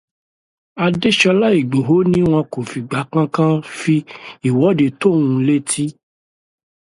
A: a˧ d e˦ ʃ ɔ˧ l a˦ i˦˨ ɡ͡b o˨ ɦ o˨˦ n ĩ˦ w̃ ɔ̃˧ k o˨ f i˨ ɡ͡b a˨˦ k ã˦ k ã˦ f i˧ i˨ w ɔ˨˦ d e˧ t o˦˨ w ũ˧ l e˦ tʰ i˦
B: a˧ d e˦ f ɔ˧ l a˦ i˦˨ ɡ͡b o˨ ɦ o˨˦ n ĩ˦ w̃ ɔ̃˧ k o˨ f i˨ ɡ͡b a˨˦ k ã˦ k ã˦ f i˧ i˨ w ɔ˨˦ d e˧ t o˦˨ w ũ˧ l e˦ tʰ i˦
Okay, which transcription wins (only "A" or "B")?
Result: A